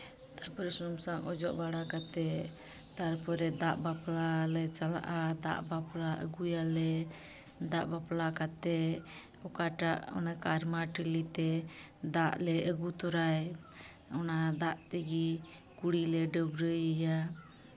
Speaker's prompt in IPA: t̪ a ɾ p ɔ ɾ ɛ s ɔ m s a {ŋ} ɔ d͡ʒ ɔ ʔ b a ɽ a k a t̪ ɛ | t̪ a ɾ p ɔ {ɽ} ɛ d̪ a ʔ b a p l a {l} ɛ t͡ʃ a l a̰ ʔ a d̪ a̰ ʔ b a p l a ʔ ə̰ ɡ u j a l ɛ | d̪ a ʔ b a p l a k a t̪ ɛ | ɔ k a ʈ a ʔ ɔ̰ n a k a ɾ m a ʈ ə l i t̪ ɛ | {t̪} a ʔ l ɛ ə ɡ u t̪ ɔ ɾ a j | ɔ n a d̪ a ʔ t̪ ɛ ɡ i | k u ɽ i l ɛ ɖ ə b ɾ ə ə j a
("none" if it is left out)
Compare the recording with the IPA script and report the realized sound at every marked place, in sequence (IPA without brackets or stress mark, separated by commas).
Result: ŋ, ɾ, l, d̪